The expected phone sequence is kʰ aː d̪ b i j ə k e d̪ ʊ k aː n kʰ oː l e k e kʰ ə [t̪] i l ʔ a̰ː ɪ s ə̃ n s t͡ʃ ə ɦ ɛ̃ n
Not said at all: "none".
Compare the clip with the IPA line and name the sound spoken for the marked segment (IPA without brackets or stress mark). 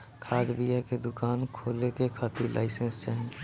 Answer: t̪